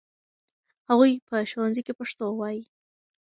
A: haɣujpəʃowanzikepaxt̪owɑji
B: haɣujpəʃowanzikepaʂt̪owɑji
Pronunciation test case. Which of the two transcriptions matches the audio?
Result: B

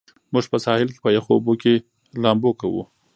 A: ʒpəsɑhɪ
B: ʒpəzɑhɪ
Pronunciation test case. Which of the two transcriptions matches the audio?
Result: A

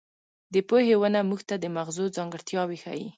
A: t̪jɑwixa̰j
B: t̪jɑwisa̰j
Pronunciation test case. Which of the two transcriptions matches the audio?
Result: A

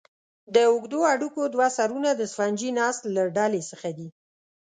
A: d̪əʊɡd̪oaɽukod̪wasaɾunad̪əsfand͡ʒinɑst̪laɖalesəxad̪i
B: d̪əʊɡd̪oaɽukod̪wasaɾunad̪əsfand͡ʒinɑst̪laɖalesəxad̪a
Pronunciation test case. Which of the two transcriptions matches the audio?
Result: A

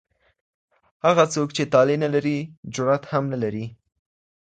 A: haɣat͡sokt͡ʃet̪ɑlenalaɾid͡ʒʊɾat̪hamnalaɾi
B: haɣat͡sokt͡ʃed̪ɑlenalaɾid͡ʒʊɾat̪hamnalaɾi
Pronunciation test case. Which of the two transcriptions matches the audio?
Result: A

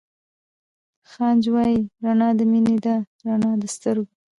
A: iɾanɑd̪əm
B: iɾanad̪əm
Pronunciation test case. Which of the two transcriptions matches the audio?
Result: A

